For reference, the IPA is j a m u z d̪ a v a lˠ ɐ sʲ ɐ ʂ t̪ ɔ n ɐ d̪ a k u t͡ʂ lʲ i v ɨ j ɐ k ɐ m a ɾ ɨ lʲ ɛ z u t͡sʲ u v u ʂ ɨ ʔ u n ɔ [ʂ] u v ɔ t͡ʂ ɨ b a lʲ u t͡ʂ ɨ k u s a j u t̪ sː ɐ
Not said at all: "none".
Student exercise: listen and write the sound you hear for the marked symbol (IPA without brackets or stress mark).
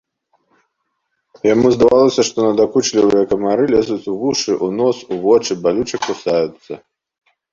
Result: s